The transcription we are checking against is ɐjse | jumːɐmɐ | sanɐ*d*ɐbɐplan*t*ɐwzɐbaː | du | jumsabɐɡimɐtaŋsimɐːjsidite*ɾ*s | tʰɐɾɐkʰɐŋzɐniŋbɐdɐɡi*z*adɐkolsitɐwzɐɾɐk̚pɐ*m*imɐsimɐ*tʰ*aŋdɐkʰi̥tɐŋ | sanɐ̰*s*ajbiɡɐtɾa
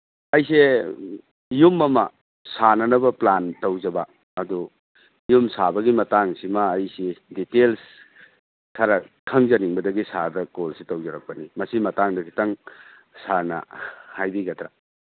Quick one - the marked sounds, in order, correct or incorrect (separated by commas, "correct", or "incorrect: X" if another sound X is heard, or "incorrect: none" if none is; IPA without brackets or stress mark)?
incorrect: n, correct, incorrect: l, incorrect: s, incorrect: n, incorrect: t, incorrect: h